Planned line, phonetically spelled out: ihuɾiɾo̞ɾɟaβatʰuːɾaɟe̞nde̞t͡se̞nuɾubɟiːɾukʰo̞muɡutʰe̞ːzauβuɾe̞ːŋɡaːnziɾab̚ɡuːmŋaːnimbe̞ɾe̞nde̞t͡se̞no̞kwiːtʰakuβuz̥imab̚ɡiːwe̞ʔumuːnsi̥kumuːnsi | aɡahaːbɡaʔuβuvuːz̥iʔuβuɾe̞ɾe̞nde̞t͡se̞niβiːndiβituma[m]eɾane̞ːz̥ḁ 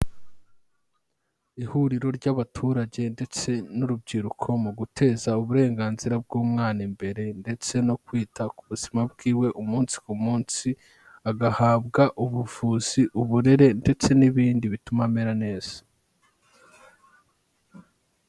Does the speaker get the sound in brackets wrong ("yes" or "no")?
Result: no